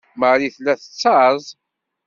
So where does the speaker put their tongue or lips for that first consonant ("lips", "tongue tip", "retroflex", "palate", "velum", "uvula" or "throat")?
lips